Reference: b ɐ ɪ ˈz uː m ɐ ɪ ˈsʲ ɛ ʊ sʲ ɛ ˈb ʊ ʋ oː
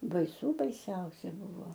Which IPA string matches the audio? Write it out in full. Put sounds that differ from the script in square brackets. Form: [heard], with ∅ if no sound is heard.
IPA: b ɐ ɪ [ˈs] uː [b] ɐ ɪ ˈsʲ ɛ ʊ sʲ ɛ ˈb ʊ ʋ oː